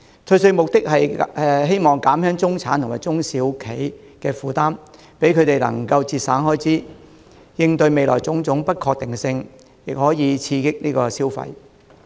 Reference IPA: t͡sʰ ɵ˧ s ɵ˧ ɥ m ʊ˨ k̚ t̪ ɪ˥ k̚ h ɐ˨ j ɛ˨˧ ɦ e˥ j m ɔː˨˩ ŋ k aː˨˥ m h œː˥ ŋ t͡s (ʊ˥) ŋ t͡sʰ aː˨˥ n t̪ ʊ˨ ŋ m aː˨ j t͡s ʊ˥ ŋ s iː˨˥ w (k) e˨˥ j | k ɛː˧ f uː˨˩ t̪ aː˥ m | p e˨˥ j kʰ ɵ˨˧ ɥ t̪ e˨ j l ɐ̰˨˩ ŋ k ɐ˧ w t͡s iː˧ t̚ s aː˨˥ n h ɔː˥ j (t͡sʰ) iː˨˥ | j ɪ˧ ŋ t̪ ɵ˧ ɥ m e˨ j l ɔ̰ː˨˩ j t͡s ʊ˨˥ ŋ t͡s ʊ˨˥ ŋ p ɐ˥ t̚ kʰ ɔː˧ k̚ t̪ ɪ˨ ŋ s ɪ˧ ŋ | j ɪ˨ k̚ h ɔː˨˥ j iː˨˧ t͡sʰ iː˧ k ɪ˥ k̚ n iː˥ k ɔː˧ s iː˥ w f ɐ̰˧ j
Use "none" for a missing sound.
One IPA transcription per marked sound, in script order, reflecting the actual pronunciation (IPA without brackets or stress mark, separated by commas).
ʊ˥, kʰ, t͡s